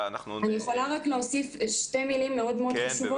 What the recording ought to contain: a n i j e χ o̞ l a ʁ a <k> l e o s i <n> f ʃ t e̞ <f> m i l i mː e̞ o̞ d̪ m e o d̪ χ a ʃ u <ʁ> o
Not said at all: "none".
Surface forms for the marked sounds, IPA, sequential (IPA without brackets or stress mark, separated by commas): k, none, none, v